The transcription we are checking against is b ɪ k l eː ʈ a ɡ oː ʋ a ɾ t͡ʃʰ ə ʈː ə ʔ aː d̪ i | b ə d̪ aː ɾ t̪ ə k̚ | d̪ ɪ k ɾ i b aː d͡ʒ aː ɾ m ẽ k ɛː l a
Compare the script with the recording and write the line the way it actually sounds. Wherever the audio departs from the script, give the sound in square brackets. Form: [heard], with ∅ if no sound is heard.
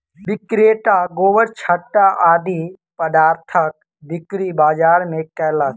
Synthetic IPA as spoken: b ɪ k [ɾ] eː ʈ a ɡ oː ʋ [ə] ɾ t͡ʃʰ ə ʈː [a] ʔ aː d̪ i | [p] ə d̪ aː ɾ [t̪ʰ] ə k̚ | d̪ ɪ k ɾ i b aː d͡ʒ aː ɾ m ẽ k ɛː l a